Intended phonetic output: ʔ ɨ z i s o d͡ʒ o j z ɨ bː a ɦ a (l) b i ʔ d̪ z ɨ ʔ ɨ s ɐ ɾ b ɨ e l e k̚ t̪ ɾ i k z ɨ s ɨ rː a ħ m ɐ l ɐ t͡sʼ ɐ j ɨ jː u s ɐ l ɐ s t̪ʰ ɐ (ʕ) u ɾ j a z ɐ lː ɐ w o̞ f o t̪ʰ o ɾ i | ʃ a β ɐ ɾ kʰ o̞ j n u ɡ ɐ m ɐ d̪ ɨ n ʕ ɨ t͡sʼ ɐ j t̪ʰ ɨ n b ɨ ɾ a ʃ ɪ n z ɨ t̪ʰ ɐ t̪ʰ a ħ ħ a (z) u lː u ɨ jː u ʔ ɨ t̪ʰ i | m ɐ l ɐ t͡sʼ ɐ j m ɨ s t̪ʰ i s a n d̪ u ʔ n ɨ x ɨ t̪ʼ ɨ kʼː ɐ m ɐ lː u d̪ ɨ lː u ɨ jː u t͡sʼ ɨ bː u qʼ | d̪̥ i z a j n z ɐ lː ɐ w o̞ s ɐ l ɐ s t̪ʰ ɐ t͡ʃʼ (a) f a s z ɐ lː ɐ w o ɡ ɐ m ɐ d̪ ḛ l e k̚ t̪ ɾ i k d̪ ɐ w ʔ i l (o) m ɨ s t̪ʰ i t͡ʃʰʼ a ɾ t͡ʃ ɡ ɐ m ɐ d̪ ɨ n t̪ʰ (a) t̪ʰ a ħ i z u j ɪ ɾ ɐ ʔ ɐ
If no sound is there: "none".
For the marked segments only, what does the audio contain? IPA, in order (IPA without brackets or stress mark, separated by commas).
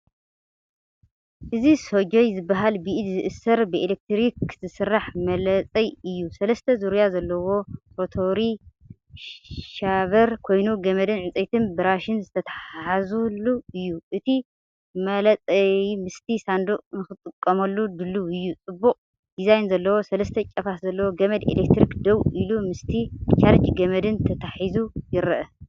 l, z, z, ɐ, u, ɐ